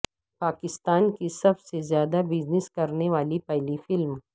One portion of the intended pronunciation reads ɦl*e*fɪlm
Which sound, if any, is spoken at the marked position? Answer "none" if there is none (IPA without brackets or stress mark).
i